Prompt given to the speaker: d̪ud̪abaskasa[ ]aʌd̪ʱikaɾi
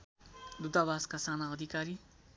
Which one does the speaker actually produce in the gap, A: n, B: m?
A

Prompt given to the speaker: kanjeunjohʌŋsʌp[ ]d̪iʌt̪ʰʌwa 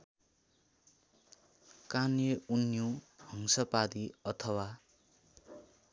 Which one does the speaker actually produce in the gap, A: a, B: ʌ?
A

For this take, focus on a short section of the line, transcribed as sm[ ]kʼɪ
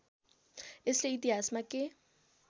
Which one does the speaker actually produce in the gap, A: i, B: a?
B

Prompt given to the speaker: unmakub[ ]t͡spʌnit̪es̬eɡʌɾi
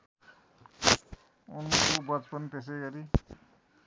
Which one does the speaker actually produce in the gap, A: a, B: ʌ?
B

